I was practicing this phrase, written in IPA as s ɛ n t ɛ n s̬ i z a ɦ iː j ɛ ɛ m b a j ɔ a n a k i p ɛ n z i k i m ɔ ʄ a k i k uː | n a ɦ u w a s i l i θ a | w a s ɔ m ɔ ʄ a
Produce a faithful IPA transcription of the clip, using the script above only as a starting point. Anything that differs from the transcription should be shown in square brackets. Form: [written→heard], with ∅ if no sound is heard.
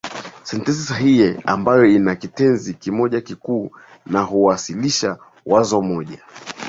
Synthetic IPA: s ɛ n t ɛ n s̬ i [z→s] a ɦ [iː→i] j ɛ [ɛ→a] m b a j ɔ [a→i] n a k i [p→t] ɛ n z i k i m ɔ ʄ a k i k uː | n a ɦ u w a s i l i [θ→ʃ] a | w a [s→z] ɔ m ɔ ʄ a